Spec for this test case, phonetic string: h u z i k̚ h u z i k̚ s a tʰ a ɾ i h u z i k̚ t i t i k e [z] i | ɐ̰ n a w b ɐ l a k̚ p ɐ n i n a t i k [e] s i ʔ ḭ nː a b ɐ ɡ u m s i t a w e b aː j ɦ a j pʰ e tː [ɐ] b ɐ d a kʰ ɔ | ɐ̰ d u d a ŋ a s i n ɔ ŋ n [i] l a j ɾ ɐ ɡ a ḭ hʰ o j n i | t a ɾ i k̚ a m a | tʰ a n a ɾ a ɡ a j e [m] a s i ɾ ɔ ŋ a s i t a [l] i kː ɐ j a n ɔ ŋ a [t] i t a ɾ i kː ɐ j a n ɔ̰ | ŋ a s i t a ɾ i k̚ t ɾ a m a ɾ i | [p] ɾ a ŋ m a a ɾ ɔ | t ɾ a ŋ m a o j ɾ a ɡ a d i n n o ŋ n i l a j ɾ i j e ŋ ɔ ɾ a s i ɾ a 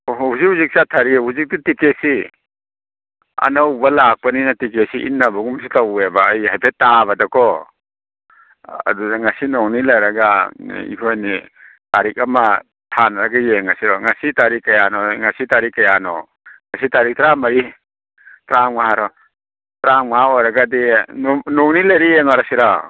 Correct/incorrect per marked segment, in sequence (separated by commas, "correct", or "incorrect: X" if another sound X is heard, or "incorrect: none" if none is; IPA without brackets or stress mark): incorrect: s, correct, incorrect: a, correct, incorrect: ŋ, incorrect: ɾ, incorrect: s, incorrect: t